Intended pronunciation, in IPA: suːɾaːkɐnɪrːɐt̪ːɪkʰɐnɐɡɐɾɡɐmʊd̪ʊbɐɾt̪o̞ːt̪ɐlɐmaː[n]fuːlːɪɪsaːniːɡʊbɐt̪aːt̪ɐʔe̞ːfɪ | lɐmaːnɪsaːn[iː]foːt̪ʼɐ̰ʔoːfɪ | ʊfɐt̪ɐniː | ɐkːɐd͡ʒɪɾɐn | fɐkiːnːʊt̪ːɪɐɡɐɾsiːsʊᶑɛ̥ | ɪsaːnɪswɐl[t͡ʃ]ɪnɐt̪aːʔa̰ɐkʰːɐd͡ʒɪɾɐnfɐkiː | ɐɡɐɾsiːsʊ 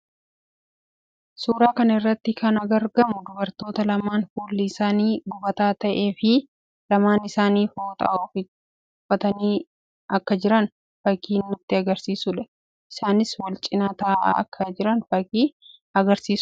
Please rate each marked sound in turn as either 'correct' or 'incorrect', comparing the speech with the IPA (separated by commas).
correct, correct, incorrect